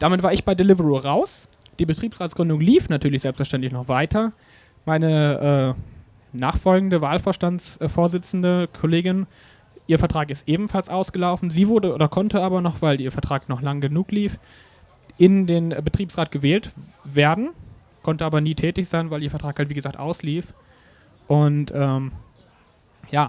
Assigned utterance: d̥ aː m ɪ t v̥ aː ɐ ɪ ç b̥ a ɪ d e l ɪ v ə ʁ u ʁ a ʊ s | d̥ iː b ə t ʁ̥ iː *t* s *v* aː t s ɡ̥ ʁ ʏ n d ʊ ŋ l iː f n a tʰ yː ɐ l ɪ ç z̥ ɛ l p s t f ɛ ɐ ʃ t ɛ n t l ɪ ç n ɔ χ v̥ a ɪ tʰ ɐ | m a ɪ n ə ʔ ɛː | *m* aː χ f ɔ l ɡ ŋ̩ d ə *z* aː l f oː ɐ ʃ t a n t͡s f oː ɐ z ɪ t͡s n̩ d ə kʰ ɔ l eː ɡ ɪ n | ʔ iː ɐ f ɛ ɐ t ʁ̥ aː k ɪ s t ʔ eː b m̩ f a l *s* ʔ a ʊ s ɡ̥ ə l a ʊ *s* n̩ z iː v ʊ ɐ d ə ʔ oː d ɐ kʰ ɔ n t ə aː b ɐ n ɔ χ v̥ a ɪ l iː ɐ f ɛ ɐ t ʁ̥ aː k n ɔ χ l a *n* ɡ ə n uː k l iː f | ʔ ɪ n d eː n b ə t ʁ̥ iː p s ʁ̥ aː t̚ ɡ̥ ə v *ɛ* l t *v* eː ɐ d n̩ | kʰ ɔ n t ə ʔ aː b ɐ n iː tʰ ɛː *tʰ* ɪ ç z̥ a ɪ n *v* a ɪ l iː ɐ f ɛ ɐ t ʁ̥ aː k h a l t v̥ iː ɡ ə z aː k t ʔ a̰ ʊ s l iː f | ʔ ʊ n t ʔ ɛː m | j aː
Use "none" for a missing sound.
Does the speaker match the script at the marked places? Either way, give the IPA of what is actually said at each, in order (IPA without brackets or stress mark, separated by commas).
p, ʁ, n, v, s, f, ŋ, ɛː, v, t, v